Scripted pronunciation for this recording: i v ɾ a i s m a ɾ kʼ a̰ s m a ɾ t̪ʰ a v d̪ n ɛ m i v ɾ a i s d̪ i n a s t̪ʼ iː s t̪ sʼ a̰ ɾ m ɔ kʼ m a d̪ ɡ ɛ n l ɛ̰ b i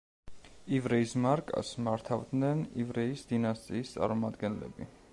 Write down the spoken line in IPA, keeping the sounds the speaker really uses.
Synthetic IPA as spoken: i v ɾ ɛ i s m a ɾ kʼ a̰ s m a ɾ t̪ʰ a v d̪ n ɛ n i v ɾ ɛ i s d̪ i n a s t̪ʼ iː s t̪ sʼ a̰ ɾ m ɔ m a d̪ ɡ ɛ n l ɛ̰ b i